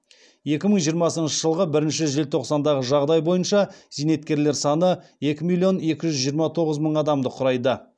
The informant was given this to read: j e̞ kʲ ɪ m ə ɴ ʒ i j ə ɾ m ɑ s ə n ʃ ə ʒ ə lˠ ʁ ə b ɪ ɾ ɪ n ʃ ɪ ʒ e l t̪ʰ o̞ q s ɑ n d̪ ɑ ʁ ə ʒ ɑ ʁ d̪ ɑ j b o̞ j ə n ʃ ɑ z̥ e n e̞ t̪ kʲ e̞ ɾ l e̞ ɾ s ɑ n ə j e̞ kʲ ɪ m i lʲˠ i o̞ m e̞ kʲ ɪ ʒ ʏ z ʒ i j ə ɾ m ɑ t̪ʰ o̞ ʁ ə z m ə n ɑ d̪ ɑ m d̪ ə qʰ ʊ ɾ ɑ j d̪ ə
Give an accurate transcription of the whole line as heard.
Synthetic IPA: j e̞ kʲ ɪ m ə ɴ ʒ i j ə ɾ m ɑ s ə n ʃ ə ʒ ə lˠ ʁ ə b ɪ ɾ ɪ n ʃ ɪ ʒ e l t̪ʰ o̞ q s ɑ n d̪ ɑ ʁ ə ʒ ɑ ʁ d̪ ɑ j b o̞ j ə n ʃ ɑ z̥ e n e̞ t̪ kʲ e̞ ɾ l e̞ ɾ s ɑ n ə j e̞ kʲ ɪ m i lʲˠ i o̞ n e̞ kʲ ɪ ʒ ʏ z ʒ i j ə ɾ m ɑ t̪ʰ o̞ ʁ ə z m ə ɴ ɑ d̪ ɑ m d̪ ə qʰ ʊ ɾ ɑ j d̪ ə